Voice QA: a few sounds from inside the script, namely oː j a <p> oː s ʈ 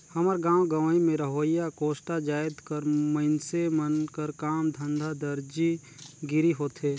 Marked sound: incorrect: k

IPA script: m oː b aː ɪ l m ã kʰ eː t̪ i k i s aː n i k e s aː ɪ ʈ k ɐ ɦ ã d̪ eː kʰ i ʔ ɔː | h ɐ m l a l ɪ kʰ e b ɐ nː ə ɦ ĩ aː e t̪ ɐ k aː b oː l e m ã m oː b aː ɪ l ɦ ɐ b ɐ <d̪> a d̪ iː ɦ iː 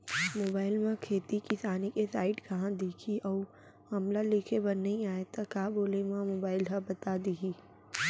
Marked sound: incorrect: t̪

